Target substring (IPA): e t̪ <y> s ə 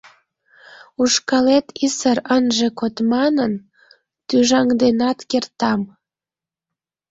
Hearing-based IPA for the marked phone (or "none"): i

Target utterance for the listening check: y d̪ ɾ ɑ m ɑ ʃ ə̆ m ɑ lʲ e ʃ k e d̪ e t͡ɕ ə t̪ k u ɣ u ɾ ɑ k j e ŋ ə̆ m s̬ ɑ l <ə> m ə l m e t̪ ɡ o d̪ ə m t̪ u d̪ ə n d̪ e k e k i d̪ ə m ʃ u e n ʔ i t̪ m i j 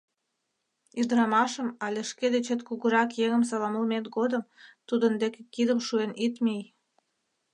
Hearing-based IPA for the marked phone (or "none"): ɑ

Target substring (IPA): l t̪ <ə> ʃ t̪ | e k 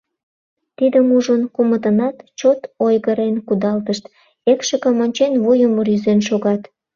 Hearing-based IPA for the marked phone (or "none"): ə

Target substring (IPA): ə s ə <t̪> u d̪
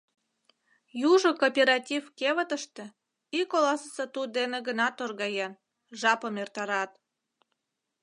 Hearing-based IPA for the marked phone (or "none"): t̪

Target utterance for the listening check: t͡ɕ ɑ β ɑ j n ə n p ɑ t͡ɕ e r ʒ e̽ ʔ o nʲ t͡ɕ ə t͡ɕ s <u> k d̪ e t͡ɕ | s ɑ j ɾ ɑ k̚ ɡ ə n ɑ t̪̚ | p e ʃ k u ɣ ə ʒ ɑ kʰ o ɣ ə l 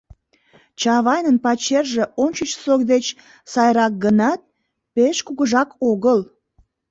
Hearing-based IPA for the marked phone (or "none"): o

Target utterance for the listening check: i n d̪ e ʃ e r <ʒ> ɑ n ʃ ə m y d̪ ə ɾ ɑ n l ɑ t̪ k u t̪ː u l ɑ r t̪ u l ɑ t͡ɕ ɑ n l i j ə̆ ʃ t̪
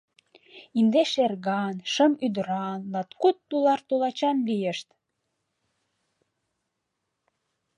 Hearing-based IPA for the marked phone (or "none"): ɣ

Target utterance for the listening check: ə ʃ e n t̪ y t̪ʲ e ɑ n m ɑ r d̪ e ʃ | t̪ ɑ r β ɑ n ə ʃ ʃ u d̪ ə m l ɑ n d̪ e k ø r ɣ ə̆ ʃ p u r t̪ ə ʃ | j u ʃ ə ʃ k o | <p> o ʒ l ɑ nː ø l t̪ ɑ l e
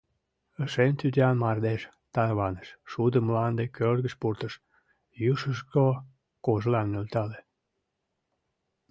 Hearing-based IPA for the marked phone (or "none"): k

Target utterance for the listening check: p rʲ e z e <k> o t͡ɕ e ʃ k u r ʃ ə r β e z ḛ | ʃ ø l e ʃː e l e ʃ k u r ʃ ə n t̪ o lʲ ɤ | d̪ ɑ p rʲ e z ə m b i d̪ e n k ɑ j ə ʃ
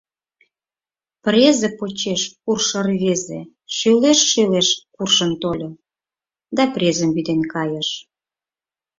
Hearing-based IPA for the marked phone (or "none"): p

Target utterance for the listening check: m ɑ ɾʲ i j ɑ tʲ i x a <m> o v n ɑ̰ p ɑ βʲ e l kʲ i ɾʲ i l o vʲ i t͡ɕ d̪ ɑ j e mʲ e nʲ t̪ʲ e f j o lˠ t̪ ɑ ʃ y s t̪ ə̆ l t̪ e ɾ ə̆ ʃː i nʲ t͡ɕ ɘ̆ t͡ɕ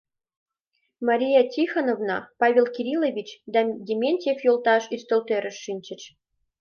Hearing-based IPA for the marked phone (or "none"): n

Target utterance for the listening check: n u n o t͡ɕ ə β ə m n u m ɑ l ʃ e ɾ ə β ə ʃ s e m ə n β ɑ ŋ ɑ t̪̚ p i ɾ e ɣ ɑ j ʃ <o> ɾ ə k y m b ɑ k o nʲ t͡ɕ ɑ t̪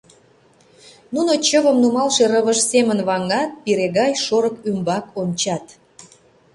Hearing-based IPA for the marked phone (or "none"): o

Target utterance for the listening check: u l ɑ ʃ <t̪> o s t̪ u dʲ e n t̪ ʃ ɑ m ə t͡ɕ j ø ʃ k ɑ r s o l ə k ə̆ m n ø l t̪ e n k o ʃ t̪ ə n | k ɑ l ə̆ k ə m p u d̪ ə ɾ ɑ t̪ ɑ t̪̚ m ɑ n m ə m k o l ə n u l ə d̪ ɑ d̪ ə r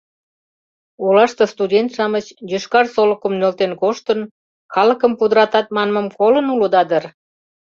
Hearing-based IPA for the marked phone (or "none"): t̪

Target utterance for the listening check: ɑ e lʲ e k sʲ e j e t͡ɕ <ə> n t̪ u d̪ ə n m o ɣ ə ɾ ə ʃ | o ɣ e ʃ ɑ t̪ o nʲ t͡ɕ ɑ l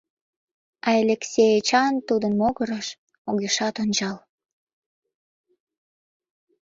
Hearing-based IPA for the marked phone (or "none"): ɑ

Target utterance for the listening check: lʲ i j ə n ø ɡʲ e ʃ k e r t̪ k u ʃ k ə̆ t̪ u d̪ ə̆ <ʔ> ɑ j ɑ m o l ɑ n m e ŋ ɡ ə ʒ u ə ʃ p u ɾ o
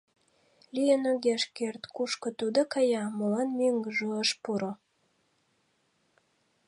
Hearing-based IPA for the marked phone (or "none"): k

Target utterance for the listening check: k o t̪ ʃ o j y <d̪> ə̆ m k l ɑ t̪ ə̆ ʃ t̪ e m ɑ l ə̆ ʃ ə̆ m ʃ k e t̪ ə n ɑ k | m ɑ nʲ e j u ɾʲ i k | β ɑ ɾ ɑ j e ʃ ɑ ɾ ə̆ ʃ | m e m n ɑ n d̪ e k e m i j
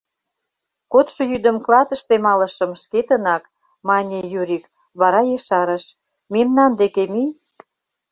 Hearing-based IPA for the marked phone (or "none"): d̪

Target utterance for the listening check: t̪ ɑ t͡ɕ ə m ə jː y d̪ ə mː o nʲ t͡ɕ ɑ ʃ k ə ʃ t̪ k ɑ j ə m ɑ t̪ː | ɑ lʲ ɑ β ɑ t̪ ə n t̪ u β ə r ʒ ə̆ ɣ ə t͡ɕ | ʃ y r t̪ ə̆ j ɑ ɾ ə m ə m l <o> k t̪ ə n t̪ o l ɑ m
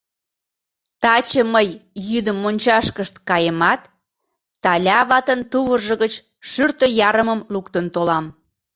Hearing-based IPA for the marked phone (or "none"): u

